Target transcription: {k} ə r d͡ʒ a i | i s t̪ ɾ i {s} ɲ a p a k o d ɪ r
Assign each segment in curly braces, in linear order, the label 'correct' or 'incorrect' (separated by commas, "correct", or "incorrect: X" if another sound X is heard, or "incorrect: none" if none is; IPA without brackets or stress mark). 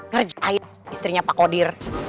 correct, incorrect: none